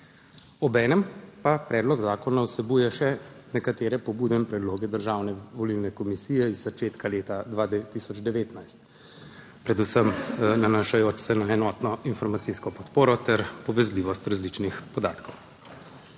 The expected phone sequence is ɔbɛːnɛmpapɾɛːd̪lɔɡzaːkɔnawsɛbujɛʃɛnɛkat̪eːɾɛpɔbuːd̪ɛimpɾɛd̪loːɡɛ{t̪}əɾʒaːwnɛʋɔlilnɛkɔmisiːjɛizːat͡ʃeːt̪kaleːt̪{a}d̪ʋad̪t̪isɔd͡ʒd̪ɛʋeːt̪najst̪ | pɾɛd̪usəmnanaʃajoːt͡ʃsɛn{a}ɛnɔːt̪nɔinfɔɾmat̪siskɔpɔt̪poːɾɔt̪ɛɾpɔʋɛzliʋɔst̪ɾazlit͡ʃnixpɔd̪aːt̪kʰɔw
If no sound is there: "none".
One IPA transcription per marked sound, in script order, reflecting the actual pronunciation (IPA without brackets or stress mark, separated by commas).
d̪, a, a